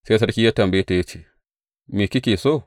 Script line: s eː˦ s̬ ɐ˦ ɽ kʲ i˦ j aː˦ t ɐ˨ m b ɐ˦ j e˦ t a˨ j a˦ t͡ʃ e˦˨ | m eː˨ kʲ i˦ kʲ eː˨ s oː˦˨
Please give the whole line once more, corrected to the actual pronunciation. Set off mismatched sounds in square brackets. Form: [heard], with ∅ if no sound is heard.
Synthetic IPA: s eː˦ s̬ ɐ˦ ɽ kʲ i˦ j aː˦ t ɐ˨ m b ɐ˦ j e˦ t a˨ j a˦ t͡ʃ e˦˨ | m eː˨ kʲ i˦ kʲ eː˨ s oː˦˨